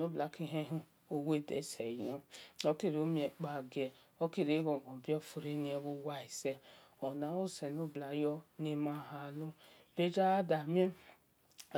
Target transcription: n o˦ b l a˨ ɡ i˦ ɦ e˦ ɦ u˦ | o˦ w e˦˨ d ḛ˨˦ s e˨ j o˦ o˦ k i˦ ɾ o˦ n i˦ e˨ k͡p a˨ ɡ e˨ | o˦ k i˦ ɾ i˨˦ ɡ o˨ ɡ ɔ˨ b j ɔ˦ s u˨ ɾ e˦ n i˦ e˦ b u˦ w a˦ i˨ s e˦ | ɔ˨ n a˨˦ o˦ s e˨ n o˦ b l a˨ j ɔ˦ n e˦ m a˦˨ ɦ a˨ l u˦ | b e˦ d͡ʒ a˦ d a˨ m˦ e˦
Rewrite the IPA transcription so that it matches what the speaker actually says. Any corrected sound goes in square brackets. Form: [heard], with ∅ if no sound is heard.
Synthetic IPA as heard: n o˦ b l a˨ [k] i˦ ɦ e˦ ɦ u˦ | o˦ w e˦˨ d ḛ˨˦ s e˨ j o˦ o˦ k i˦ ɾ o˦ [m] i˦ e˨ k͡p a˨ ɡ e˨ | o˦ k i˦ ɾ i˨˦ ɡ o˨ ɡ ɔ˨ b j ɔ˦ [f] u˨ ɾ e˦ n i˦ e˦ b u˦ w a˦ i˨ s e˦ | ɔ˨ n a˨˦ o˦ s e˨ n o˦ b l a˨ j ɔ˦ n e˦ m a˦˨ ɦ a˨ l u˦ | b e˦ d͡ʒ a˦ d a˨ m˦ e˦